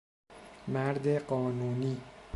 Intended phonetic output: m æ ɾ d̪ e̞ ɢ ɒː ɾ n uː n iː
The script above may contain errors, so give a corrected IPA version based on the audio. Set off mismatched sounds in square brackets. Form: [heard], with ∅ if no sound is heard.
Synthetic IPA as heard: m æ ɾ d̪ e̞ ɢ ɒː [∅] n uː n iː